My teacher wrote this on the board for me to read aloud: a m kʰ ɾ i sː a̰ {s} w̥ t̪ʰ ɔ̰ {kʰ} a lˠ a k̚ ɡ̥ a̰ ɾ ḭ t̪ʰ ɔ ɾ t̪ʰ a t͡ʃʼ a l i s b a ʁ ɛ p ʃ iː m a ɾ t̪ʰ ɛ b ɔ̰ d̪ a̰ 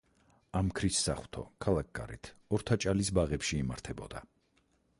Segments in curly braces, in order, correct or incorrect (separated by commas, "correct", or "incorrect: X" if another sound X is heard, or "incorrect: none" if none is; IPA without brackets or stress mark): incorrect: χ, correct